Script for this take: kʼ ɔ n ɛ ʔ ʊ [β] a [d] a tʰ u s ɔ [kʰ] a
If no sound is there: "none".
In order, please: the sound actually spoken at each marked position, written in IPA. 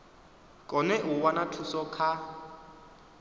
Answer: w, n, kʰ

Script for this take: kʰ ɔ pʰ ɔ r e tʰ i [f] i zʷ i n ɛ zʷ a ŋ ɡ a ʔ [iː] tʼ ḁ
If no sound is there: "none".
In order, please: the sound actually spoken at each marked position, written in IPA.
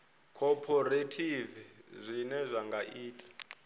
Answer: v, iː

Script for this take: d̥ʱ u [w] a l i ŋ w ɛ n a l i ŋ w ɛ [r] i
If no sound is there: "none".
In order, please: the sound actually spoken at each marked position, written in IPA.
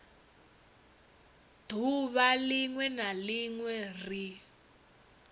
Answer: β, r

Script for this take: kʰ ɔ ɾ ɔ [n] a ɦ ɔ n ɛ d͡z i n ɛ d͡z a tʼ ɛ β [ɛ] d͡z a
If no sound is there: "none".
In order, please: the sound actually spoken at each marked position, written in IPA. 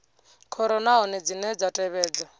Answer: n, ɛː

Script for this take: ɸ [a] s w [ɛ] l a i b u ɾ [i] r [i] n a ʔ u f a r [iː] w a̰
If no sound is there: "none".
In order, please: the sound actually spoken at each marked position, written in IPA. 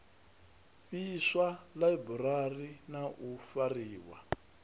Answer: i, a, a, i, iː

